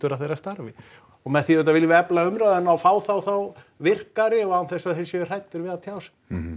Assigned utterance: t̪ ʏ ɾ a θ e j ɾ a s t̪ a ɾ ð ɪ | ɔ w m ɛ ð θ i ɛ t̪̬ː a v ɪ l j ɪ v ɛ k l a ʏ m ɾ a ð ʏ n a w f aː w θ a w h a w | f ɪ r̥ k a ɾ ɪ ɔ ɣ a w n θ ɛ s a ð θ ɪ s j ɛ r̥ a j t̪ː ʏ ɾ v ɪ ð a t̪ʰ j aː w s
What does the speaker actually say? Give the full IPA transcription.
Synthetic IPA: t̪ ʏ ɾ a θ e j ɾ a s t̪ a ɾ v ɪ | ɔ ɣ m ɛ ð θ i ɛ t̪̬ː a v ɪ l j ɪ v ɛ p l a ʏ m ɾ a ð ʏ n a w f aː w θ a w θ a w | v ɪ r̥ k a ɾ ɪ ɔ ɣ a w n θ ɛ s a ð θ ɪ s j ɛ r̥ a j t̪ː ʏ ɾ v ɪ ð a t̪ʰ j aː w s